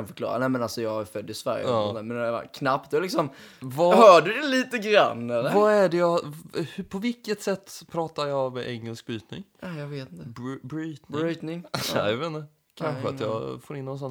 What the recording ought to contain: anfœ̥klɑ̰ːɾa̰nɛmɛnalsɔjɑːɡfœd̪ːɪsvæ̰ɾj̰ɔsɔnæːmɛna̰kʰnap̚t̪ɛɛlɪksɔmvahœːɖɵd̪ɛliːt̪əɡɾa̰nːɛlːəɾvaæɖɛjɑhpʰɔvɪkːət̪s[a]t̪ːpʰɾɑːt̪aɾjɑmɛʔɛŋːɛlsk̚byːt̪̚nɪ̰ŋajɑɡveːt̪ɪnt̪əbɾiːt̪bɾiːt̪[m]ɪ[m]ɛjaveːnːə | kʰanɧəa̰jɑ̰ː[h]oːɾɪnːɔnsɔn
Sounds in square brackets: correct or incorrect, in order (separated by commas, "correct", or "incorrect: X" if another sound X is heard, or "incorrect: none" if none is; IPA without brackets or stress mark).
incorrect: ɛ, incorrect: n, incorrect: ŋ, incorrect: f